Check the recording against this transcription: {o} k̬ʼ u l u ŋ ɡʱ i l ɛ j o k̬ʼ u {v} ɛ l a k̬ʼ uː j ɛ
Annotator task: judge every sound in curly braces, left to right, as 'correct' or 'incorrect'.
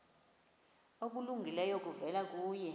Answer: correct, correct

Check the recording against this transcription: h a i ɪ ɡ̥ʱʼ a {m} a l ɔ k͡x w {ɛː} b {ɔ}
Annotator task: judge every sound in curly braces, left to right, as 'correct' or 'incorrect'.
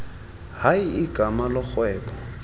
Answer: correct, correct, correct

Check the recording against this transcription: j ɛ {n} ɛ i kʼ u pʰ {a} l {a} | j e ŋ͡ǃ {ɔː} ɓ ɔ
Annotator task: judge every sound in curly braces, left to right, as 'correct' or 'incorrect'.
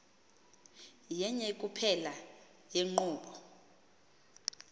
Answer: incorrect: ɲ, incorrect: ɛ, correct, incorrect: uː

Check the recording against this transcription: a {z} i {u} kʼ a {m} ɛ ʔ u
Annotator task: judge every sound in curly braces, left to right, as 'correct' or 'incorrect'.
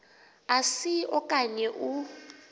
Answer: incorrect: s, incorrect: ɔ, incorrect: ɲ

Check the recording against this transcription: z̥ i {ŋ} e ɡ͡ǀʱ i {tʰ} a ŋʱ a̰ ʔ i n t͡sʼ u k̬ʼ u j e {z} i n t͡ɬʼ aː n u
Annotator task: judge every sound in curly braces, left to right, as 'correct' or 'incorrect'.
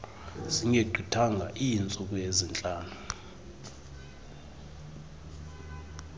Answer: correct, correct, correct

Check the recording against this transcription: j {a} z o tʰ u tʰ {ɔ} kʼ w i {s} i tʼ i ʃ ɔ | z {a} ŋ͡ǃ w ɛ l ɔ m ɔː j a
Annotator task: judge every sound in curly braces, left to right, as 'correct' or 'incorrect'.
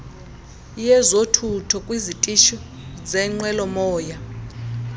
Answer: incorrect: ɛ, correct, incorrect: z, incorrect: ɛ

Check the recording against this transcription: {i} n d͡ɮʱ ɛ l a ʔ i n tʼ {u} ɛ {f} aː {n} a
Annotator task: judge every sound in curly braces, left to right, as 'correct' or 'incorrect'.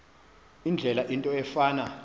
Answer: correct, incorrect: ɔ, correct, correct

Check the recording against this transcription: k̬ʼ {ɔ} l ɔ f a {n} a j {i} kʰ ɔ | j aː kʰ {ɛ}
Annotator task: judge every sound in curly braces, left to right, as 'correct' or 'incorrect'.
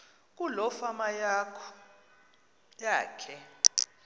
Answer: incorrect: u, incorrect: m, incorrect: a, correct

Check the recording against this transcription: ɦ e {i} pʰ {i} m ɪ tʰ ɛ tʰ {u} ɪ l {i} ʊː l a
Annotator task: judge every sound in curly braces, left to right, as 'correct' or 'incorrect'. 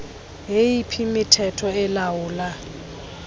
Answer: correct, correct, incorrect: ɔ, incorrect: a

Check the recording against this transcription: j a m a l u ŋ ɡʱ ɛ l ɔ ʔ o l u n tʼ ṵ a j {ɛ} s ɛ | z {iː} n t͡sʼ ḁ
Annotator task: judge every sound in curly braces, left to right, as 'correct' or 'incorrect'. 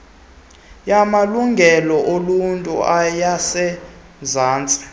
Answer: incorrect: a, incorrect: aː

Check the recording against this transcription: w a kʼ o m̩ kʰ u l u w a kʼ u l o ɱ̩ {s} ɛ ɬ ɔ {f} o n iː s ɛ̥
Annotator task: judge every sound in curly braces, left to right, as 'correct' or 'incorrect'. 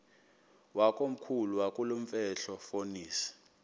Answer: incorrect: f, correct

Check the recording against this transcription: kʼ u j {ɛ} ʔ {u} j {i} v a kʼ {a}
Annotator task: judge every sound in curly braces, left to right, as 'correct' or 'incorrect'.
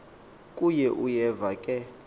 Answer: correct, correct, incorrect: ɛ, incorrect: ɛ

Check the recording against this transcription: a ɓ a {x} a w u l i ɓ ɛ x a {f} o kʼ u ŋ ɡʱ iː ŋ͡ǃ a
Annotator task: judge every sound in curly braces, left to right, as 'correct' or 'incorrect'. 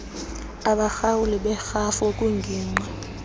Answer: correct, correct

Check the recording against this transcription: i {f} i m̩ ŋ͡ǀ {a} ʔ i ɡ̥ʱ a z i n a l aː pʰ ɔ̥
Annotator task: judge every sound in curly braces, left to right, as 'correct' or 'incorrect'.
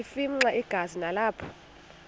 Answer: correct, correct

